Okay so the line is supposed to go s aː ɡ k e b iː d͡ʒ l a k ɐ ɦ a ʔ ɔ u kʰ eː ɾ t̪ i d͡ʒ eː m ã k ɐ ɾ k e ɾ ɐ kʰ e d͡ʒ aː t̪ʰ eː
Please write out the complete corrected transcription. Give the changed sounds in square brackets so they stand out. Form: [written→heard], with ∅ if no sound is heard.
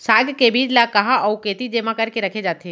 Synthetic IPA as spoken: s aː ɡ k e b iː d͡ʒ l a k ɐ ɦ a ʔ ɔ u [kʰ→k] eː [ɾ→∅] t̪ i d͡ʒ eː m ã k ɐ ɾ k e ɾ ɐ kʰ e d͡ʒ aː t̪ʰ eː

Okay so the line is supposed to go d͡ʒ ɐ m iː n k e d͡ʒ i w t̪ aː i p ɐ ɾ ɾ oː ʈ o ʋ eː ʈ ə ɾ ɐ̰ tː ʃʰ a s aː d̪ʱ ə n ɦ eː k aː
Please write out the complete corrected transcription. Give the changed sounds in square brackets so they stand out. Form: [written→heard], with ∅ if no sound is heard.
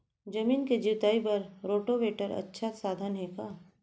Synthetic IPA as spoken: d͡ʒ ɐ m iː n k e d͡ʒ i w t̪ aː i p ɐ ɾ ɾ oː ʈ o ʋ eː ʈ ə ɾ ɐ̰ tː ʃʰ a s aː d̪ʱ ə n ɦ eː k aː

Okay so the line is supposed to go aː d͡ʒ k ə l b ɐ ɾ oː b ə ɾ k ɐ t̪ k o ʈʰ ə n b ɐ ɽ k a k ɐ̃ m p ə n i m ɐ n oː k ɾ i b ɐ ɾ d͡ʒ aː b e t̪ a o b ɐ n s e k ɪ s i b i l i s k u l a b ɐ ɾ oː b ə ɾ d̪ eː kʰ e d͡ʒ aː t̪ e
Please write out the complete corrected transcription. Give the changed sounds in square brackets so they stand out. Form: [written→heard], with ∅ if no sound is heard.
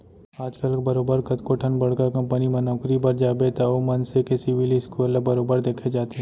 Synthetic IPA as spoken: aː d͡ʒ k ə l b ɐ ɾ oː b ə ɾ k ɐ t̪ k o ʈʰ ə n b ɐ ɽ k a k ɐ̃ m p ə n i m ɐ n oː k ɾ i b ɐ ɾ d͡ʒ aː b e t̪ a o [b→m] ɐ n s e k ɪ s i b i l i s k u l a b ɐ ɾ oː b ə ɾ d̪ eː kʰ e d͡ʒ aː t̪ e

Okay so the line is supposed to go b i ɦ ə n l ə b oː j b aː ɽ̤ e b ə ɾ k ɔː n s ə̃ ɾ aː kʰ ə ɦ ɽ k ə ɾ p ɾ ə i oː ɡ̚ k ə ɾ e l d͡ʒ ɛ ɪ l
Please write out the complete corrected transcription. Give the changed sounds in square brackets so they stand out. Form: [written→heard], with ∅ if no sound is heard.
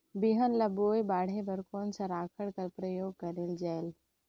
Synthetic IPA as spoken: b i ɦ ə n l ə b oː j b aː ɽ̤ e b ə ɾ k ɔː n s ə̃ ɾ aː kʰ ə [ɦ→∅] ɽ k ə ɾ p ɾ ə [i→j] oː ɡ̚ k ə ɾ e l d͡ʒ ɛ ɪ l

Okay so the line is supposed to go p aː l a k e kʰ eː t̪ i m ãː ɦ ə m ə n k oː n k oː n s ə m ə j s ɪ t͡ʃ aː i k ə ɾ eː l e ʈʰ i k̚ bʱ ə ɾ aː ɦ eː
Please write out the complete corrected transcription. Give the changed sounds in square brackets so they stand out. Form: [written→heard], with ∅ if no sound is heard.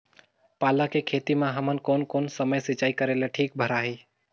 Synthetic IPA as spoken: p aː l a k e kʰ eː t̪ i m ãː ɦ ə m ə n k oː n k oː n s ə m ə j s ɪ t͡ʃ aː i k ə ɾ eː l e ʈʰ [i→iː] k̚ bʱ ə ɾ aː ɦ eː

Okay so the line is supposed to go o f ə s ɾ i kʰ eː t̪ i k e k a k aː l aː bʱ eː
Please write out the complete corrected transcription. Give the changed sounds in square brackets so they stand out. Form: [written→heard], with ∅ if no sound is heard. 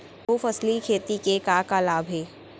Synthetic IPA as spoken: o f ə s [ɾ→l] i kʰ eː t̪ i k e k a k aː l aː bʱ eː

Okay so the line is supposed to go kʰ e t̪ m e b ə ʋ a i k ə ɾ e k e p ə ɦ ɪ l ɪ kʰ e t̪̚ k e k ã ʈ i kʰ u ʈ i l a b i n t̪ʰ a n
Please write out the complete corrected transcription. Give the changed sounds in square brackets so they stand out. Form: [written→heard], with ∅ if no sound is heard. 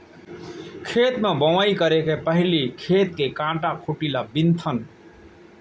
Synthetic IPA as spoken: kʰ e t̪ m e b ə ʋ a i k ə ɾ e k e p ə ɦ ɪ l [ɪ→i] kʰ e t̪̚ k e k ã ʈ [i→a] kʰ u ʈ i l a b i n t̪ʰ [a→ə] n

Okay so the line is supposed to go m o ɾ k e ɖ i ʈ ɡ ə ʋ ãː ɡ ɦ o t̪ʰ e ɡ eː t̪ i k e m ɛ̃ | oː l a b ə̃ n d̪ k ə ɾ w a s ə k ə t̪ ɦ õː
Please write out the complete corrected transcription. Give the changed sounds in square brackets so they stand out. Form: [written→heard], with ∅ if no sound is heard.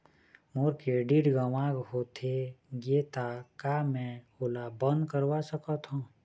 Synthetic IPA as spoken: m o ɾ k e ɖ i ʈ ɡ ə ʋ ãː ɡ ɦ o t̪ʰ e ɡ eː t̪ [i→a] k [e→a] m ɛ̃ | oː l a b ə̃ n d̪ k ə ɾ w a s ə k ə t̪ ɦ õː

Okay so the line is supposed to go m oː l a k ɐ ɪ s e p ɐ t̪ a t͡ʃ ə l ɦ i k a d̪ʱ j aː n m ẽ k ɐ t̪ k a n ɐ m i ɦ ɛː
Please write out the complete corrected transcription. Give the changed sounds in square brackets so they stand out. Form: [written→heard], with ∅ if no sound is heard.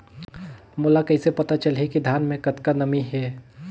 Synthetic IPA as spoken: m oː l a k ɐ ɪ s e p ɐ t̪ a t͡ʃ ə l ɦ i k [a→i] d̪ʱ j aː n m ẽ k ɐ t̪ k a n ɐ m i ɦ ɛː

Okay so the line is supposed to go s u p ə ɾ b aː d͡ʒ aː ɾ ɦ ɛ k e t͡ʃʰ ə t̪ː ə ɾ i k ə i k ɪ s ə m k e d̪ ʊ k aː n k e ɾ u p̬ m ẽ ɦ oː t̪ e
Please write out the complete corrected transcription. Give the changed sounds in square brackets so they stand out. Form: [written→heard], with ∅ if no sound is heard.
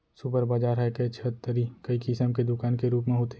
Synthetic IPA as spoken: s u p ə ɾ b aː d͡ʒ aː ɾ ɦ ɛ k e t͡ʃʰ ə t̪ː ə ɾ i k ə i k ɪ s ə m k e d̪ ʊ k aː n k e ɾ [u→uː] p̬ m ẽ ɦ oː t̪ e

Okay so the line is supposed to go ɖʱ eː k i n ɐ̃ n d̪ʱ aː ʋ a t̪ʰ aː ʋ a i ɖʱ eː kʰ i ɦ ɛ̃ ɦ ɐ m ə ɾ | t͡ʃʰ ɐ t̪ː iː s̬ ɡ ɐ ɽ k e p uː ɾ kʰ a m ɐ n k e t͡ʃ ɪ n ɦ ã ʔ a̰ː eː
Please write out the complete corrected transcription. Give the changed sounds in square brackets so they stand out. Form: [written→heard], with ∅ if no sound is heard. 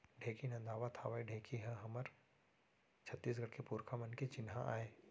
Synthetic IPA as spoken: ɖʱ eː k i n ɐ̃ n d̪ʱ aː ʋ a t̪ʰ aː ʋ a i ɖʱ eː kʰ i ɦ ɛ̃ ɦ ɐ m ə ɾ | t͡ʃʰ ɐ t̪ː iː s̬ ɡ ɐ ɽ k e p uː ɾ kʰ a m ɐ n k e t͡ʃ ɪ n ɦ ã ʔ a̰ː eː

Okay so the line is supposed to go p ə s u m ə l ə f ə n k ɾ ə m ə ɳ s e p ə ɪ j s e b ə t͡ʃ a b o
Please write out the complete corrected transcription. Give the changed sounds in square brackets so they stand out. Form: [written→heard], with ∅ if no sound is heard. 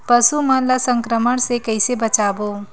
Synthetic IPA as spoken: p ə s u m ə l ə [f→s] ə [n→ŋ] k ɾ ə m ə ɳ s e [p→k] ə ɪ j s e b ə t͡ʃ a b o

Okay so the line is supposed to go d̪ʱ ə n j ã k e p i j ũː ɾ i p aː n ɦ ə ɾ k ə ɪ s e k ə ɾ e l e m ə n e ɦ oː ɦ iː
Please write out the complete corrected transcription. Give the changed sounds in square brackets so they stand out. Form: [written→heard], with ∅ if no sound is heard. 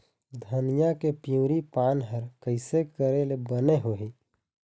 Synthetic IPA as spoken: d̪ʱ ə n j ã k e p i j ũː ɾ i p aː n ɦ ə ɾ k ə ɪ s e k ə ɾ e l e [m→b] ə n e ɦ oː ɦ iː

